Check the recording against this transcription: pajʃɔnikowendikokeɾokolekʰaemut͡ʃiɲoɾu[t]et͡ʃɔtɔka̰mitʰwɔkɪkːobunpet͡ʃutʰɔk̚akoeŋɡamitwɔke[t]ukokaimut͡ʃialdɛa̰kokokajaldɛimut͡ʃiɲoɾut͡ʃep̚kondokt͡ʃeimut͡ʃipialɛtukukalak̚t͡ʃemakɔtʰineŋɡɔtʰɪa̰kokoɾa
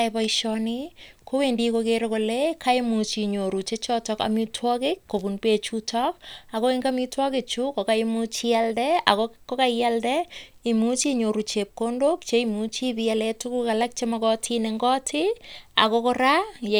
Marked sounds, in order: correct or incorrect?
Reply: incorrect: t͡ʃ, incorrect: t͡ʃ

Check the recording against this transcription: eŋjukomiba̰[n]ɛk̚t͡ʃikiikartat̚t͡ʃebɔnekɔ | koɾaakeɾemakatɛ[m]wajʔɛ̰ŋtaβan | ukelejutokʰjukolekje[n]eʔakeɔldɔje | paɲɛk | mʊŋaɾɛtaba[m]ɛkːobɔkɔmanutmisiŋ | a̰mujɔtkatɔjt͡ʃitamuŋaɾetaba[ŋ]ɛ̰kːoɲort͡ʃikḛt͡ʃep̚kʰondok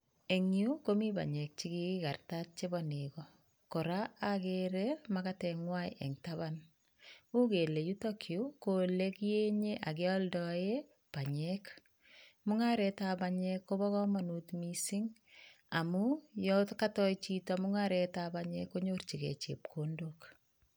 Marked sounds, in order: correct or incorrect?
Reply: incorrect: ɲ, incorrect: ŋ, incorrect: ɲ, incorrect: ɲ, incorrect: ɲ

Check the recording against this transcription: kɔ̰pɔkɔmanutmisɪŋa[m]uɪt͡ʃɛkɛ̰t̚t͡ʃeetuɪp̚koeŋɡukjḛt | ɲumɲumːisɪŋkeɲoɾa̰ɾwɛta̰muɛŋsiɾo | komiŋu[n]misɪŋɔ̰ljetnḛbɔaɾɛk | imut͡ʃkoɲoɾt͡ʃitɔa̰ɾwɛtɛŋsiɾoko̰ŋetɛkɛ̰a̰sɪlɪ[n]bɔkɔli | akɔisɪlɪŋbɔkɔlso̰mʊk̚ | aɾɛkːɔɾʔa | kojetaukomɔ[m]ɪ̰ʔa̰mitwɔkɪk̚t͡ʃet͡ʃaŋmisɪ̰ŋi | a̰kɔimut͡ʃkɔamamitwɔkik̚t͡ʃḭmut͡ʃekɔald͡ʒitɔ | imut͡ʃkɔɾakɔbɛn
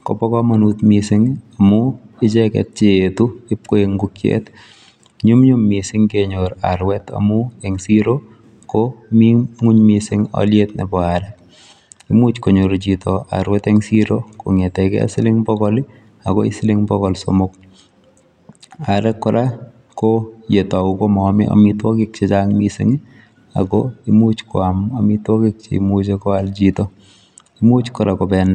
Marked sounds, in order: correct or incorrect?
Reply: correct, incorrect: ɲ, incorrect: ŋ, correct

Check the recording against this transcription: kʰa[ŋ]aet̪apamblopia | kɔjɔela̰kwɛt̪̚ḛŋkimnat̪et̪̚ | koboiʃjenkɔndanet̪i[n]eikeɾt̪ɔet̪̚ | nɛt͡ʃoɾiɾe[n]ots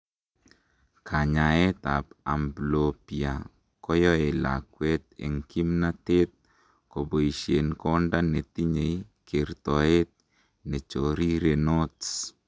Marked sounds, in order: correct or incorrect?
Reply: incorrect: ɲ, incorrect: ɲ, correct

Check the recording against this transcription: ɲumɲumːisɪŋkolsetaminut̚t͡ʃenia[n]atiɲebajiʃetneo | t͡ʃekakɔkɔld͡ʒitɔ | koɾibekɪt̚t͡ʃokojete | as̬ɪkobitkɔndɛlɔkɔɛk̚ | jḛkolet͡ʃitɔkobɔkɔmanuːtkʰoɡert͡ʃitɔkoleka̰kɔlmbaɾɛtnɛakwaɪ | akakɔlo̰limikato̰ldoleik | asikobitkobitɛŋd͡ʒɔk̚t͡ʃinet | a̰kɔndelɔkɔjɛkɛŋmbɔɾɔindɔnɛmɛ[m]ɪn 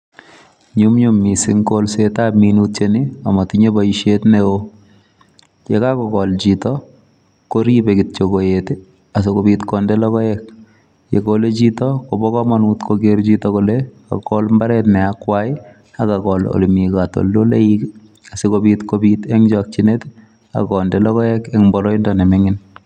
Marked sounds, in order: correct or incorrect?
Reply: incorrect: m, incorrect: ŋ

